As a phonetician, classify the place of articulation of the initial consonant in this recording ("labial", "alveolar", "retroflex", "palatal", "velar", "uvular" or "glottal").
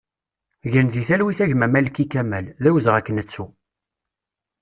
palatal